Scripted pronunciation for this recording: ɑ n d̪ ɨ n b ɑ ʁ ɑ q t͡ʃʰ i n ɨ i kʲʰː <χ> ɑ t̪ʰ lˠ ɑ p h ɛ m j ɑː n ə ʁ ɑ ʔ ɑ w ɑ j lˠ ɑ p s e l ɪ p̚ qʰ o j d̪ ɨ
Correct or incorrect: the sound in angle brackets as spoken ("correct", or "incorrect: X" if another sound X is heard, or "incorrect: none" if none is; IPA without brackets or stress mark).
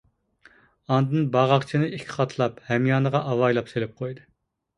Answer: correct